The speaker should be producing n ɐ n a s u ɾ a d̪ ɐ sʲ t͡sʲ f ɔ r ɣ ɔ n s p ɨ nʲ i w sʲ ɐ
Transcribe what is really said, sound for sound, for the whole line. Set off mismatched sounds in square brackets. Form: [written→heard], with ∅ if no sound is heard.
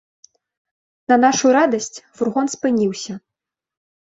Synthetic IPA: n ɐ n a [s→ʂ] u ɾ a d̪ ɐ sʲ t͡sʲ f [ɔ→u] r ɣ ɔ n s p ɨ nʲ i w sʲ ɐ